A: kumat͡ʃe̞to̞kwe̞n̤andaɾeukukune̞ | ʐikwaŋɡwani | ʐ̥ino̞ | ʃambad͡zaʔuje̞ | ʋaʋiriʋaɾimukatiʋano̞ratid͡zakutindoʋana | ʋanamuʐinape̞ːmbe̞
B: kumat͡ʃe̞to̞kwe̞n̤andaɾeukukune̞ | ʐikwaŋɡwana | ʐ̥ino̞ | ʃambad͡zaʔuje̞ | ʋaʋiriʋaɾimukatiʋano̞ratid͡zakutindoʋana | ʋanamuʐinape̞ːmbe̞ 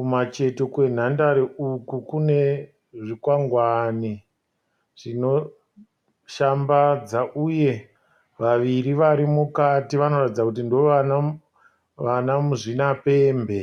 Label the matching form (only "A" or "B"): A